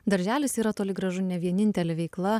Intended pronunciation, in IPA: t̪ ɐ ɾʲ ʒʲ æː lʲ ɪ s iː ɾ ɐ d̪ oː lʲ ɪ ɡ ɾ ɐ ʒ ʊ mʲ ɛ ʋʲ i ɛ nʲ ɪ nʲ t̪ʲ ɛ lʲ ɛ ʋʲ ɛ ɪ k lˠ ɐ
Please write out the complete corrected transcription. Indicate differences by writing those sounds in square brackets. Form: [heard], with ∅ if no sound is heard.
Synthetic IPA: [d̪] ɐ ɾʲ ʒʲ æː lʲ ɪ s iː ɾ ɐ [t̪] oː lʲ ɪ ɡ ɾ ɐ ʒ ʊ [nʲ] ɛ ʋʲ i ɛ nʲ ɪ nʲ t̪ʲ ɛ lʲ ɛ ʋʲ ɛ ɪ k lˠ ɐ